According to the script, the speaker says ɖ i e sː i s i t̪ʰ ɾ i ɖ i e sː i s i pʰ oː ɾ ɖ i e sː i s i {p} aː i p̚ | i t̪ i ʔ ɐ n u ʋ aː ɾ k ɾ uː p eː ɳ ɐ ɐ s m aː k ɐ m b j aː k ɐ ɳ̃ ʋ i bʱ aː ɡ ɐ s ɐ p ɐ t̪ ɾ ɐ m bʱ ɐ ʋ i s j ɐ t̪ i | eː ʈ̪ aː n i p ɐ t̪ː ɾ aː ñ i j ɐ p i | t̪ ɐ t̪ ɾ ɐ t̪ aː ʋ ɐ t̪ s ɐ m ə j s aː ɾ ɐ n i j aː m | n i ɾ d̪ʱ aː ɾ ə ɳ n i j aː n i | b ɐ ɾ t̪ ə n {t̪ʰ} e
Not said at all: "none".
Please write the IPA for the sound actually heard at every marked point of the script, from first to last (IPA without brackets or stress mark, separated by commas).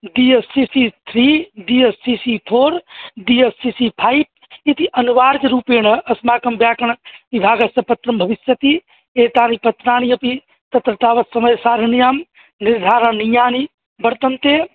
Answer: pʰ, t̪